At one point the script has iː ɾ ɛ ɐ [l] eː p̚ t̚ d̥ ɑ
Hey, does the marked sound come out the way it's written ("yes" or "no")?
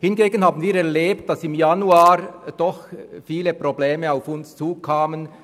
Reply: yes